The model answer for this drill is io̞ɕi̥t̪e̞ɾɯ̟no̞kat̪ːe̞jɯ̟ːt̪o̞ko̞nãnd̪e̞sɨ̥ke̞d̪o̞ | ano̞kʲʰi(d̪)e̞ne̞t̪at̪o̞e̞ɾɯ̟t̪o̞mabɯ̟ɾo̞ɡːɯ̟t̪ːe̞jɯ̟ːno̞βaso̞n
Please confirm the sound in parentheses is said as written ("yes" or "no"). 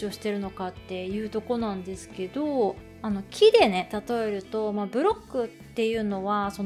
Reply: yes